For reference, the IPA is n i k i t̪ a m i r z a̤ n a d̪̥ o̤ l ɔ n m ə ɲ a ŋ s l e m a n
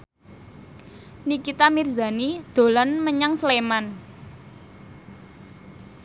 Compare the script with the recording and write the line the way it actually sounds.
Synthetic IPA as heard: n i k i t̪ a m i r z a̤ n i d̪̥ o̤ l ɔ n m ə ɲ a ŋ s l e m a n